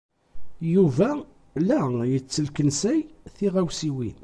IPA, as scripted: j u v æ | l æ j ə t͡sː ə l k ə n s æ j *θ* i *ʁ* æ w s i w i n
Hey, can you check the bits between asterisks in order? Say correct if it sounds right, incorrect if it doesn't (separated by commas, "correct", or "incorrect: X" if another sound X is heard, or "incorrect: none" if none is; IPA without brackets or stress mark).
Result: correct, correct